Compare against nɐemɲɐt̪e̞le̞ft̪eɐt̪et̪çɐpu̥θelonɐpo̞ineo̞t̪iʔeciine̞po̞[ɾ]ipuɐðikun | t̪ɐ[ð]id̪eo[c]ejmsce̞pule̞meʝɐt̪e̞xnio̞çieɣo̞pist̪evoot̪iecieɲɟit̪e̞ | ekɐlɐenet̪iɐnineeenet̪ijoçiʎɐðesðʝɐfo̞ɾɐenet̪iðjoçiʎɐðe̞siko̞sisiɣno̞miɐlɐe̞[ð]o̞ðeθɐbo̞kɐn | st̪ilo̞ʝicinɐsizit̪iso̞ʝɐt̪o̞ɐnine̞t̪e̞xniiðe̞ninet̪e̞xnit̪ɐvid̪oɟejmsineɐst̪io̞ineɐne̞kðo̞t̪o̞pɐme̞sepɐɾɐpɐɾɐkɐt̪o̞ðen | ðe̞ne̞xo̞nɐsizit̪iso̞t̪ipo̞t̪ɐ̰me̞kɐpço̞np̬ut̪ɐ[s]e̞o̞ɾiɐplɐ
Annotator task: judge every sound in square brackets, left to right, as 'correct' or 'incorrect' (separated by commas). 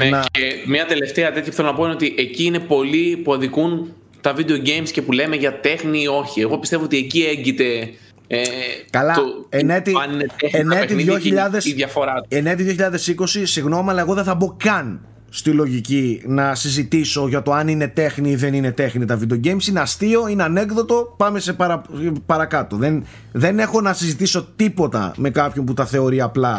incorrect, incorrect, incorrect, incorrect, incorrect